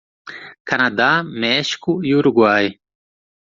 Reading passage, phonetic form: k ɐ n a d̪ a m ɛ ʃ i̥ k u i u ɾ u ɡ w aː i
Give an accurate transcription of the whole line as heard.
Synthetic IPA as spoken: k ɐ n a d̪ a m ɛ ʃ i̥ k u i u ɾ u ɡ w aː j